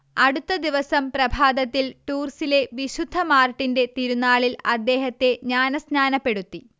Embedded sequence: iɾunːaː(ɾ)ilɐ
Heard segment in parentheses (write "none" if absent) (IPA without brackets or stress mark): ɭ